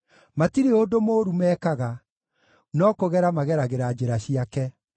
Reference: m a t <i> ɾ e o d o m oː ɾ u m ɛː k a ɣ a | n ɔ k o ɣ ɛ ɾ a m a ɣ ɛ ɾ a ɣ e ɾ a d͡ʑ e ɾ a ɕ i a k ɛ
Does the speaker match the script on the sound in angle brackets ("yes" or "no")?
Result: yes